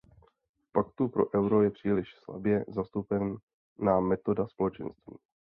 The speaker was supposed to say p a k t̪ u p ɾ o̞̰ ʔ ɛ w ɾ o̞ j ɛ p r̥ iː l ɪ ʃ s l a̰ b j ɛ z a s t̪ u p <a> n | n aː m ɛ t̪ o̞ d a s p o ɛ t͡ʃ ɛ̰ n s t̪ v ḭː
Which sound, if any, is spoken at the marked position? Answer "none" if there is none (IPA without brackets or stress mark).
ɛ